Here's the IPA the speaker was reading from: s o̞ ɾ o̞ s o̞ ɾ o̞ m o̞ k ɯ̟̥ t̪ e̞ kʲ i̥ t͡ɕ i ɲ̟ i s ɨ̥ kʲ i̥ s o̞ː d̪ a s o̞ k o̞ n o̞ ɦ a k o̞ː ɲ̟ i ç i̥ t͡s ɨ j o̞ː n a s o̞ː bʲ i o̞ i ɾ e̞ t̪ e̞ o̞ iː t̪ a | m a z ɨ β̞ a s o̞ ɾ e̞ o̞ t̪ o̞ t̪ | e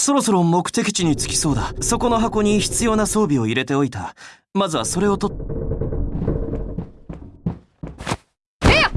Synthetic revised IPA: s o̞ ɾ o̞ s o̞ ɾ o̞ m o̞ k ɯ̟̥ t̪ e̞ kʲ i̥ t͡ɕ i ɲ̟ i t͡s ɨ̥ kʲ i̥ s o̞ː d̪ a s o̞ k o̞ n o̞ ɦ a k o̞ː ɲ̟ i ç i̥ t͡s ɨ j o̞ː n a s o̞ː bʲ i o̞ i ɾ e̞ t̪ e̞ o̞ i t̪ a | m a z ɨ β̞ a s o̞ ɾ e̞ o̞ t̪ o̞ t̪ | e